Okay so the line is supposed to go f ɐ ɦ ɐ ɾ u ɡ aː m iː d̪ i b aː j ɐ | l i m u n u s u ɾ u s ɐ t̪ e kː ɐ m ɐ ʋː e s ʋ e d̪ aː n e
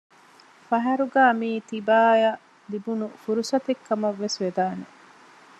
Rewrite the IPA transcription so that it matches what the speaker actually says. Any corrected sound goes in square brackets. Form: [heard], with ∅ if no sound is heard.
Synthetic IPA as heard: f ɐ ɦ ɐ ɾ u ɡ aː m iː [t̪] i b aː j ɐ | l i [b] u n u [f] u ɾ u s ɐ t̪ e kː ɐ m ɐ ʋː e s ʋ e d̪ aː n e